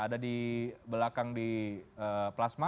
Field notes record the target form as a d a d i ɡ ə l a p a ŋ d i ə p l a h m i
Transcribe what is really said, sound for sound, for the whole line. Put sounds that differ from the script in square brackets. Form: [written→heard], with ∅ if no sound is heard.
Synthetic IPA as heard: a d a d i [ɡ→b] ə l a [p→k] a ŋ d i ə p l a [h→s] m [i→a]